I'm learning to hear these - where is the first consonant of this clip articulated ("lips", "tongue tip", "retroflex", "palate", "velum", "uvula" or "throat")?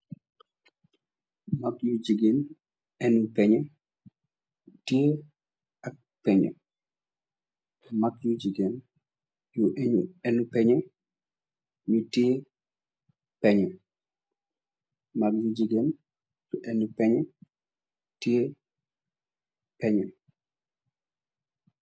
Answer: lips